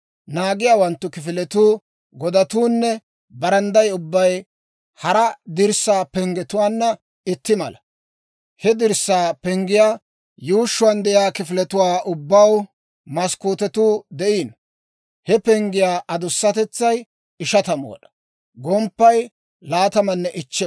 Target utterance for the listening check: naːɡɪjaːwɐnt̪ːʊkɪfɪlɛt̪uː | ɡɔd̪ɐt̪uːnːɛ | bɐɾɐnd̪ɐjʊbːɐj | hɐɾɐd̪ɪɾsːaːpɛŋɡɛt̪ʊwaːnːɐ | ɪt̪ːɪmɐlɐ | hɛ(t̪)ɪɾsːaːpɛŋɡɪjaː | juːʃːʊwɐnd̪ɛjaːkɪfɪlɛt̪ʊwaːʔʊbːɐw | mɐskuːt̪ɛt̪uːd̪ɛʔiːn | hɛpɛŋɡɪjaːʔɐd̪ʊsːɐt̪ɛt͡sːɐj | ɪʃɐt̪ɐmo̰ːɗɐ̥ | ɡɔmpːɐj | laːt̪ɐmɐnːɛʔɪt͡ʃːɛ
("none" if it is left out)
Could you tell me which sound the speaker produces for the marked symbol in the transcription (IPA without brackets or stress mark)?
d̪